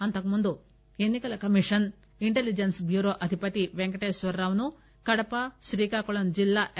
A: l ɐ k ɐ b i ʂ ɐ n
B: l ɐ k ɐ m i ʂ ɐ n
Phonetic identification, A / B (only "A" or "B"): B